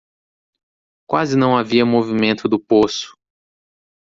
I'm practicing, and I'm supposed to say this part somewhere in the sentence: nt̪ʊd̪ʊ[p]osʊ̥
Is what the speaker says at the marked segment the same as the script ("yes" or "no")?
yes